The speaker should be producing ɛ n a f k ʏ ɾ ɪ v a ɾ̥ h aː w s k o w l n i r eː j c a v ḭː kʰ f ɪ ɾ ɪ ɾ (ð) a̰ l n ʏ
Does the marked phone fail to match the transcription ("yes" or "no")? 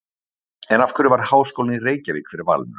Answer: yes